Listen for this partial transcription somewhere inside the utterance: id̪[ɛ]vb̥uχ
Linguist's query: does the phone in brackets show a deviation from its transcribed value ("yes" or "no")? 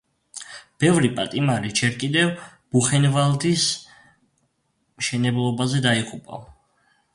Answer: no